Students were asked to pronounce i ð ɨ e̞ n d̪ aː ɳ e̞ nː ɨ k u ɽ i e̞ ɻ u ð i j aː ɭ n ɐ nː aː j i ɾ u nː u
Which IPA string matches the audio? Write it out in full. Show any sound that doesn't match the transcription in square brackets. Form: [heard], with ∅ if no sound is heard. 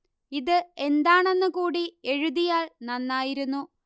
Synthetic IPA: i ð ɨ e̞ n d̪ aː ɳ e̞ nː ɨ k [uː] ɽ i e̞ ɻ u ð i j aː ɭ n ɐ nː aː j i ɾ u nː u